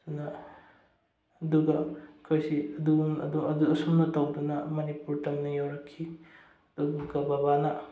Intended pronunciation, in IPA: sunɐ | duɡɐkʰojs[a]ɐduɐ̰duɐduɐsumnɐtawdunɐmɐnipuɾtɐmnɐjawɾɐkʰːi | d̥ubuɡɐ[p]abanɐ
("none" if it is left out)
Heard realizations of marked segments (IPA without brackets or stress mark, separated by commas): i, b